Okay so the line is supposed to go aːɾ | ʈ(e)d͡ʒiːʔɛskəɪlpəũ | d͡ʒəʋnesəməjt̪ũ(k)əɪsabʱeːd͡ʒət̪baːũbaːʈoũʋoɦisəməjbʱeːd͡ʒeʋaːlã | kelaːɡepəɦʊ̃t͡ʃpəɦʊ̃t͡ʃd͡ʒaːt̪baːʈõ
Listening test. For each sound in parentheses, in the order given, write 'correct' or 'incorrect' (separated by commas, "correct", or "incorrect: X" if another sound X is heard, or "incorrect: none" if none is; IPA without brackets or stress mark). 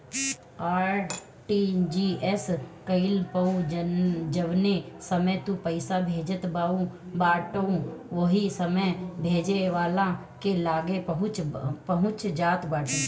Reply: incorrect: i, incorrect: p